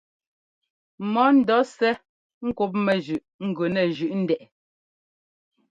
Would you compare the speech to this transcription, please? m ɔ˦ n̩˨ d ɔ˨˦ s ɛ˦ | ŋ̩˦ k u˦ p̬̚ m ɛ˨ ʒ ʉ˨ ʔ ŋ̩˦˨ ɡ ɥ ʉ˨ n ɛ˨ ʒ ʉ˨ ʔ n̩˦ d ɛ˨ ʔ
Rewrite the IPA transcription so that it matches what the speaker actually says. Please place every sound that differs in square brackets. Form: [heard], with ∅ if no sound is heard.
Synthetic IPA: m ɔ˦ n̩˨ d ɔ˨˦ s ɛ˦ | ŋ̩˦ k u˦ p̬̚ m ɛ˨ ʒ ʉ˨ ʔ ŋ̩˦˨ ɡ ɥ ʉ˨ n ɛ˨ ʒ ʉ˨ ʔ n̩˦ d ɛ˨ ʔ

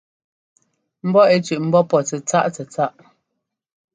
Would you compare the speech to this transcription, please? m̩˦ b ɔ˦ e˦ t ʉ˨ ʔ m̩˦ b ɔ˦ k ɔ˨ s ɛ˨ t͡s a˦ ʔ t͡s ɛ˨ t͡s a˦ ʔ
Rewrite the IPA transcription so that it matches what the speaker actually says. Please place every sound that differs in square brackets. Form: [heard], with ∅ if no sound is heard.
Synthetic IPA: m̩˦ b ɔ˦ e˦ [t͡ʃ] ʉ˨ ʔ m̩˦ b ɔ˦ [p] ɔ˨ [t͡s] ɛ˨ t͡s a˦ ʔ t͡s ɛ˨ t͡s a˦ ʔ

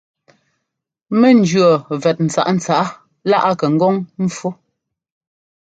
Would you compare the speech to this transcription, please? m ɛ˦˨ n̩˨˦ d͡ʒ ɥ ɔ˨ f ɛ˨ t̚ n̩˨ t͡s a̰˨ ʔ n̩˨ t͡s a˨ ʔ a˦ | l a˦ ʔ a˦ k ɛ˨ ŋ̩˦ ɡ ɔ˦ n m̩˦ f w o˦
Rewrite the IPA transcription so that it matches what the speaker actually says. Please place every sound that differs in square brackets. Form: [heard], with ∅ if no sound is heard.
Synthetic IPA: m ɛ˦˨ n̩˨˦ d͡ʒ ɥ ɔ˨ [v] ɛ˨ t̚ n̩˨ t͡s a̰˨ ʔ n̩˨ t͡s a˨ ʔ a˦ | l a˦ ʔ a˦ k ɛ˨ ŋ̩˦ ɡ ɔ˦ [ŋ] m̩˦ f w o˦

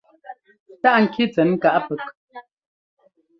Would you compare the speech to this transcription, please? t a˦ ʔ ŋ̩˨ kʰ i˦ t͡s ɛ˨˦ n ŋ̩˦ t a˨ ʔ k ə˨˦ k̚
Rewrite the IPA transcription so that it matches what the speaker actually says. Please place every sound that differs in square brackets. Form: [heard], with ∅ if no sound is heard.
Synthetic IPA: t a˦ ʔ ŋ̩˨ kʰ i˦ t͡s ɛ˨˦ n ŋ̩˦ [k] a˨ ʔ [p] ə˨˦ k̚

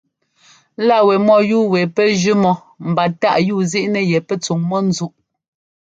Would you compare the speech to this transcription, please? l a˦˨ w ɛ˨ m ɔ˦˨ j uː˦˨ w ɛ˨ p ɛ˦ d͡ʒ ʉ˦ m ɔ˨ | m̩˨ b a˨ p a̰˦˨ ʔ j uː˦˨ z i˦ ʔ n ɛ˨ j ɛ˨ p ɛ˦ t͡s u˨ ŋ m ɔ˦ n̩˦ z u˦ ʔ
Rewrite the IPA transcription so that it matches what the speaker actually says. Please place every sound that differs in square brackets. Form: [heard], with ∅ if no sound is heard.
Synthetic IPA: l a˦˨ w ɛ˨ m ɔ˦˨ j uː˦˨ w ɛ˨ p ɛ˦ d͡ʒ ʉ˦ m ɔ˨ | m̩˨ b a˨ [t] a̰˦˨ ʔ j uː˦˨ z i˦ ʔ n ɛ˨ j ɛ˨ p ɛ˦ t͡s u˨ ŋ m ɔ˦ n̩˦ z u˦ ʔ

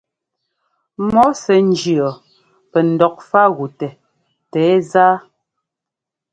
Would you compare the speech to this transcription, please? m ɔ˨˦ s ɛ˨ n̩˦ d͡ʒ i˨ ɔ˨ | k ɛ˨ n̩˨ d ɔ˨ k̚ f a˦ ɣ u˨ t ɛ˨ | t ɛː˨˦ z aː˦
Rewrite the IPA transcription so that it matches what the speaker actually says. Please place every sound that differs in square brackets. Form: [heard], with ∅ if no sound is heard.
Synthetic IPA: m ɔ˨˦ s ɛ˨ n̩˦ d͡ʒ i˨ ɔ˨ | [p] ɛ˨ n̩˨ d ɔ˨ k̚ f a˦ ɣ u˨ t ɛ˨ | t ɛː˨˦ z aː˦

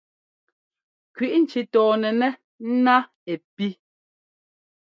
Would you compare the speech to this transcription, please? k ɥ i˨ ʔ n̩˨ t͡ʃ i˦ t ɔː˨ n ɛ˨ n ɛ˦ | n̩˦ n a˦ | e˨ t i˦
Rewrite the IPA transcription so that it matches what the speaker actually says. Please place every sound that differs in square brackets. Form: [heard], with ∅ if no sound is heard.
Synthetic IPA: k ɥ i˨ ʔ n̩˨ t͡ʃ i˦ t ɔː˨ n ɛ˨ n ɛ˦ | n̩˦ n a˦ | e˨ [p] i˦

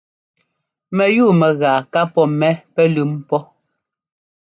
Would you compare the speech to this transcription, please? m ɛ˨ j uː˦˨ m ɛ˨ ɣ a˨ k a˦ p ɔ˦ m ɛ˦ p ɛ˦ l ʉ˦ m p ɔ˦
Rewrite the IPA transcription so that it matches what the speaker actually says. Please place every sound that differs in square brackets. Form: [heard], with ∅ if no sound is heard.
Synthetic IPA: m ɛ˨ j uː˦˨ m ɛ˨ ɣ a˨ k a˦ p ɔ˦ m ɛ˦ p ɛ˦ l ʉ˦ m p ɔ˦

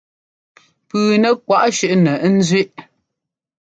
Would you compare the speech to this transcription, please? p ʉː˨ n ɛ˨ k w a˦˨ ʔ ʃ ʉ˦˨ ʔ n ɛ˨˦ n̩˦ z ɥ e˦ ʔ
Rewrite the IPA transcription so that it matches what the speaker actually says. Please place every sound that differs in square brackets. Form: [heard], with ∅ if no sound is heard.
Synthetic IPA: p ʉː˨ n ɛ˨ k w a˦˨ ʔ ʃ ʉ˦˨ ʔ n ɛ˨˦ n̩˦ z ɥ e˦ ʔ

